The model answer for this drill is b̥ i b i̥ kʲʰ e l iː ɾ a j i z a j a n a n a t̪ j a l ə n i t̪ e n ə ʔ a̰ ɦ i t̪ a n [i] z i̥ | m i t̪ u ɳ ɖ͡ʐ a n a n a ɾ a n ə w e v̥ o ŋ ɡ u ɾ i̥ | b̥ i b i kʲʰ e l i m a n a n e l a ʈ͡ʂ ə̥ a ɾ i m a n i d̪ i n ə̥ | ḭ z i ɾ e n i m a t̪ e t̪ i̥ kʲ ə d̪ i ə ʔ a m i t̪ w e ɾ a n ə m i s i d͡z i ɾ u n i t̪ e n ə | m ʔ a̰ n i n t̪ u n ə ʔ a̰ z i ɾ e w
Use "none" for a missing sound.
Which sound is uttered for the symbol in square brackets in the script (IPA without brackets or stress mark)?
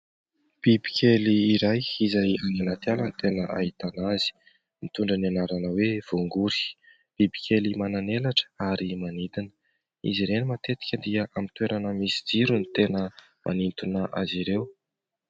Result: a